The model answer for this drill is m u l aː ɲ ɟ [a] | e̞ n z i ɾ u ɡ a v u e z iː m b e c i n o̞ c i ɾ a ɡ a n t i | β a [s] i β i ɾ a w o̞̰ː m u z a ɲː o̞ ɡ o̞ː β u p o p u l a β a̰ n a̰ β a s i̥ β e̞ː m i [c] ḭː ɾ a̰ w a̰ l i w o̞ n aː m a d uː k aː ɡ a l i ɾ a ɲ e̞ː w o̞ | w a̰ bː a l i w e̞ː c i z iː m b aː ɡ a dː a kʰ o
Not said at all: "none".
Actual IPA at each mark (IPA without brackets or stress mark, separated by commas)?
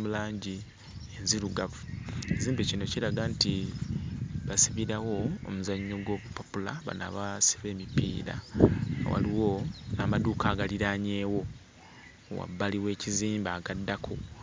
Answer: i, s, p